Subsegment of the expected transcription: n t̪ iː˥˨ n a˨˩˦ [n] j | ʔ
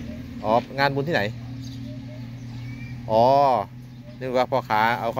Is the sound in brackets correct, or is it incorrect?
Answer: incorrect